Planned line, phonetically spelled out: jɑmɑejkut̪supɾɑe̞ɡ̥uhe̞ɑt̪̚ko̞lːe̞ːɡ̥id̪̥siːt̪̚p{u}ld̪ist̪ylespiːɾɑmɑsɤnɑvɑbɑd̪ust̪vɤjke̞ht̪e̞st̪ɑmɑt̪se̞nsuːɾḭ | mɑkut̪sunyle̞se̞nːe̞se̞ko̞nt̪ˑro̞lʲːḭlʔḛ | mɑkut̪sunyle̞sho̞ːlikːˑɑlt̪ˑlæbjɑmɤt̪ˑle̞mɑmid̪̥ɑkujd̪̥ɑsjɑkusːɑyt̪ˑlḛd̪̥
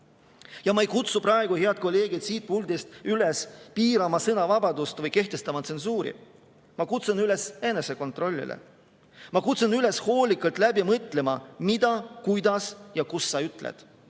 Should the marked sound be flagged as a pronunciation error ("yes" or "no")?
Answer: no